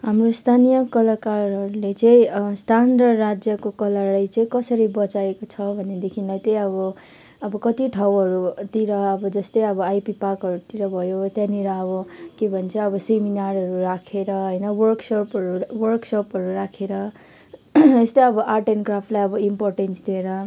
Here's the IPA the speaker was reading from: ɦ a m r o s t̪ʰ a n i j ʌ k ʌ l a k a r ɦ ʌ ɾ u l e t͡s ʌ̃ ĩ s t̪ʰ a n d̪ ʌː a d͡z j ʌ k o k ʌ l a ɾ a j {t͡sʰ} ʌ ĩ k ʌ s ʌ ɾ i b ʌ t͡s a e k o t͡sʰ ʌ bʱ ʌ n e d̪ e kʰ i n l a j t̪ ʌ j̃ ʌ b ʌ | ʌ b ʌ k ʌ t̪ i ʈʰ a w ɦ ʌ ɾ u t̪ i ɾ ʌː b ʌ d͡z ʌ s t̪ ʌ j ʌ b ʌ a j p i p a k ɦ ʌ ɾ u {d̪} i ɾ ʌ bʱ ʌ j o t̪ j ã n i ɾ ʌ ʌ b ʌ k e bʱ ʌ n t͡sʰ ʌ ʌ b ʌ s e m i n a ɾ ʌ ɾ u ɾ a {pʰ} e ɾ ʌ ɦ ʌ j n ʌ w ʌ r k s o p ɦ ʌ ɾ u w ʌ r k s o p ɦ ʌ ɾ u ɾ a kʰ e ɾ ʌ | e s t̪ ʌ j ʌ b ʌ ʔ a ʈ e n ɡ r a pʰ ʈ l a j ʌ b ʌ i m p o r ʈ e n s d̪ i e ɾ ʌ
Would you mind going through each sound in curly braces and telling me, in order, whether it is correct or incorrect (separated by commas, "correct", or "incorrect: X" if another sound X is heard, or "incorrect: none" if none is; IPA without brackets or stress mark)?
incorrect: t͡s, incorrect: t̪, incorrect: kʰ